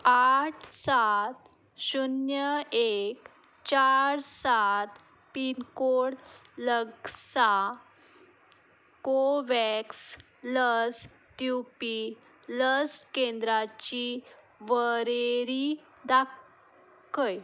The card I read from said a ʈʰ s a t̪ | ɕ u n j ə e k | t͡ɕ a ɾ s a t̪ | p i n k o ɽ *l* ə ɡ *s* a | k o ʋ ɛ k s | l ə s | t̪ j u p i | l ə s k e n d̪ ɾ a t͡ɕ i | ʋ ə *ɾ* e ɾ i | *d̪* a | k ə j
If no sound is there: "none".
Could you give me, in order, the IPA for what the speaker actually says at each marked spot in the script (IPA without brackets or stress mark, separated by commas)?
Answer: l, s, ɾ, d̪